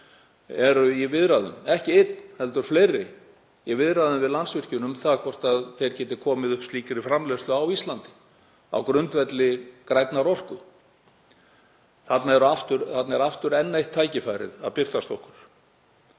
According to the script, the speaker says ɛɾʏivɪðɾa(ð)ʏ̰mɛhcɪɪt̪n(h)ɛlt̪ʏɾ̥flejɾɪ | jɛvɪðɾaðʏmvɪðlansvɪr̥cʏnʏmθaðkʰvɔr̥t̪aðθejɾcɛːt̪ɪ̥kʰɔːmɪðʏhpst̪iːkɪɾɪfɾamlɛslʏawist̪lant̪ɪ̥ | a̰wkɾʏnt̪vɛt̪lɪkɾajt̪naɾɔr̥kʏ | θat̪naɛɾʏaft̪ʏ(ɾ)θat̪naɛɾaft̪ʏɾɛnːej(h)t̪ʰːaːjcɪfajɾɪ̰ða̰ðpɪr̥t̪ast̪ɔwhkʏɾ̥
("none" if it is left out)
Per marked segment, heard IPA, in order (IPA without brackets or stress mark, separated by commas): ð, h, ɾ, h